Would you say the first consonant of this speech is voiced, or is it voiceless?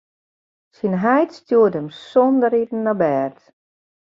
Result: voiceless